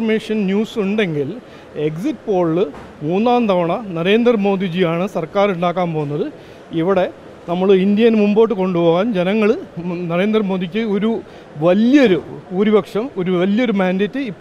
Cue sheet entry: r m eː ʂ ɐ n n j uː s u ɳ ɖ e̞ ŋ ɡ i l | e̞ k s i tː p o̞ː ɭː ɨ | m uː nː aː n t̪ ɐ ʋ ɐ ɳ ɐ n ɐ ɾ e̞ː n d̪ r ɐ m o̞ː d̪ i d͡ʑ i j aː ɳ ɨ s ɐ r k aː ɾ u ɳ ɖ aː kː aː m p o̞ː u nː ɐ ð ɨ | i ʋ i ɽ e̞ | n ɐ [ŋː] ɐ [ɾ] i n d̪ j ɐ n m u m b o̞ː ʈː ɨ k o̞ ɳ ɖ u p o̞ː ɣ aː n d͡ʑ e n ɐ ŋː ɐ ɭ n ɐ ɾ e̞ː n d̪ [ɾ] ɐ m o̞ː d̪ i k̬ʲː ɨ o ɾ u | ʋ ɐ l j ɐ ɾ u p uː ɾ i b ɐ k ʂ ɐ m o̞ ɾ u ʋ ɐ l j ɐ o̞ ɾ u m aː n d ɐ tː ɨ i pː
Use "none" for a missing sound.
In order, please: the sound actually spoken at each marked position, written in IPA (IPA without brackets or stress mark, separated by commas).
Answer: mː, ɭ, r